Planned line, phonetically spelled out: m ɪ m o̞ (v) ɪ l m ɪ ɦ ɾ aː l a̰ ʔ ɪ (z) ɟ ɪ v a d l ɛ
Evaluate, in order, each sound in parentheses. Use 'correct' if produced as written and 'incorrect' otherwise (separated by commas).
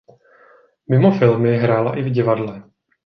incorrect, incorrect